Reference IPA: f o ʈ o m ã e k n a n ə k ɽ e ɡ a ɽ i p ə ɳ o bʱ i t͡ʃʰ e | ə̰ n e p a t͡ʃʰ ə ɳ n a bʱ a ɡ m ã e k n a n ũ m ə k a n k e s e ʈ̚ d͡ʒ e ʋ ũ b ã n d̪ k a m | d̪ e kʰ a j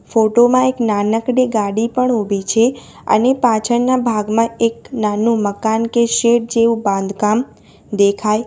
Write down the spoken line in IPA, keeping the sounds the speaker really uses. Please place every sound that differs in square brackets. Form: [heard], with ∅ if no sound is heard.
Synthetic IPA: f o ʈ o m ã e k n a n ə k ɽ e ɡ a ɽ i p ə ɳ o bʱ i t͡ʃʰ e | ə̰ n e p a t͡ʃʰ ə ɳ n a bʱ a ɡ m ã e k n a n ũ m ə k a n k e [ʃ] e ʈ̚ d͡ʒ e ʋ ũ b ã n d̪ k a m | d̪ e kʰ a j